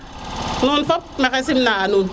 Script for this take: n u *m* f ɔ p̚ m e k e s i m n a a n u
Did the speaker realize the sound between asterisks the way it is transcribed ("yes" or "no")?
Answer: no